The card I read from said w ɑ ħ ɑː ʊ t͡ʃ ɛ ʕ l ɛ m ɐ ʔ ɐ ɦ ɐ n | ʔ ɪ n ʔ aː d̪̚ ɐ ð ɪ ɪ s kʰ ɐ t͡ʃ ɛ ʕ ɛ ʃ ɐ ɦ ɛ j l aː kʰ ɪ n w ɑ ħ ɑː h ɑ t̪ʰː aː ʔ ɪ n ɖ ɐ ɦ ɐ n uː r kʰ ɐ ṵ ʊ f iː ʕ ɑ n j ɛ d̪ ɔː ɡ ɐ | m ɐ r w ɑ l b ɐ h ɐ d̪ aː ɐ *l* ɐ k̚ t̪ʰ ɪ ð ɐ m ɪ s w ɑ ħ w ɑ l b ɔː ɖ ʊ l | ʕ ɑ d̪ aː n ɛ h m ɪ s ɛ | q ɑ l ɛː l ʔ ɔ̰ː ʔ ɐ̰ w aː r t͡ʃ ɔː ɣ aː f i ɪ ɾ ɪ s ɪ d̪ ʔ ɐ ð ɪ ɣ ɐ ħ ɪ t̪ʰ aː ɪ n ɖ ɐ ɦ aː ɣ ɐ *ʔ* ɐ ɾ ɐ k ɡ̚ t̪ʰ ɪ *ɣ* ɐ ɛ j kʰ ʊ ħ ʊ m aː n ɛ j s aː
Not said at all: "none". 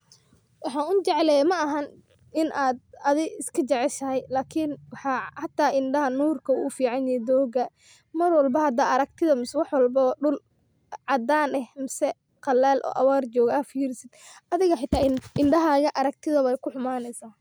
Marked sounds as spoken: ɾ, ʔ, ð

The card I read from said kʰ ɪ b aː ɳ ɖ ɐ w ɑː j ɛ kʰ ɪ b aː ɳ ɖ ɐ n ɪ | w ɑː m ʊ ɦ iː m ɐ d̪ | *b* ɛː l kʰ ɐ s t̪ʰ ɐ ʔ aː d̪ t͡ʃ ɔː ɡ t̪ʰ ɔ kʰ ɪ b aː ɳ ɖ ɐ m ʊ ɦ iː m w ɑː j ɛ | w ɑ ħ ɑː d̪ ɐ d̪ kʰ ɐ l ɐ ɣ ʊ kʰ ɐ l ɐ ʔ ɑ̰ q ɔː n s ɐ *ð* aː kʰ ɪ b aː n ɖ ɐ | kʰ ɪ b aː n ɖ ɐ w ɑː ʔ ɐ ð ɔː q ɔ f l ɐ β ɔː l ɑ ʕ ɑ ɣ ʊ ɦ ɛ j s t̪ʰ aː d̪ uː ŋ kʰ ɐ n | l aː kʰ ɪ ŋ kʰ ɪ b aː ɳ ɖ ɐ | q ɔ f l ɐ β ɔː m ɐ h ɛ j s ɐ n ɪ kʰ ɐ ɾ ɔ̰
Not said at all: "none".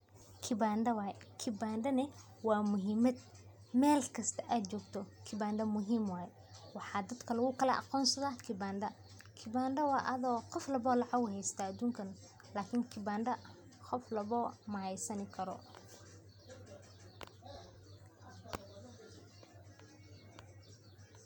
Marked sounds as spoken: m, ð

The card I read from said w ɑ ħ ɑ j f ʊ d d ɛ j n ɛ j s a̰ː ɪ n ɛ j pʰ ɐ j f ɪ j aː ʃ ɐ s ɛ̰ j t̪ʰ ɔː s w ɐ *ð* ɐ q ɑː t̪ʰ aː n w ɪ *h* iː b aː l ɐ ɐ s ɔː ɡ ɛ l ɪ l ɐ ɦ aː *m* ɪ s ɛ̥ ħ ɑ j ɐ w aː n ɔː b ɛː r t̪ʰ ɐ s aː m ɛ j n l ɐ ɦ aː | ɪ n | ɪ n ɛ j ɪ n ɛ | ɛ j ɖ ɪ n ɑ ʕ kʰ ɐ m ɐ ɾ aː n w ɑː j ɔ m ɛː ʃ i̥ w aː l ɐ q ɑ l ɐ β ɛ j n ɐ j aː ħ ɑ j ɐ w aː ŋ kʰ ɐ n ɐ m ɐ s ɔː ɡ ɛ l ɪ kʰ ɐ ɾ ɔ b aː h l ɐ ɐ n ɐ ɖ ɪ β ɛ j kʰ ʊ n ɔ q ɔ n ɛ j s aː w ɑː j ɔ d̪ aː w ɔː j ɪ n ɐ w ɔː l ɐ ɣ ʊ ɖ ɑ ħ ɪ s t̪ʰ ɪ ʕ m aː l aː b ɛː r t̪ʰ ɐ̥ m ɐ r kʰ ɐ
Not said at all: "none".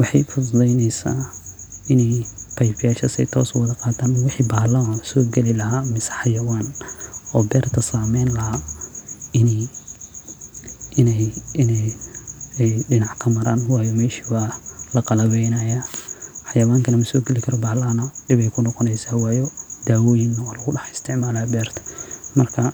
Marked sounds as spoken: ð, ħ, m

